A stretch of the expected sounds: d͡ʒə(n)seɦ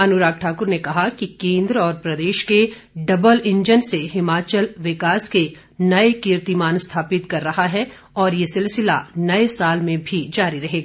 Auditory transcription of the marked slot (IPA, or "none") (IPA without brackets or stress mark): n